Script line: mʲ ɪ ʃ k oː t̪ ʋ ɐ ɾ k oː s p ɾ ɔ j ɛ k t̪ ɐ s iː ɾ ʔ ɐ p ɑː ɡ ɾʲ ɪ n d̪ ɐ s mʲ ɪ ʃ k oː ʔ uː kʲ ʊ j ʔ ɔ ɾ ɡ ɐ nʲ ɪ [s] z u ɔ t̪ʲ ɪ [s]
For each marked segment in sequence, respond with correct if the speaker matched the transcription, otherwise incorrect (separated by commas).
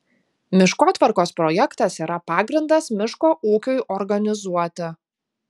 incorrect, incorrect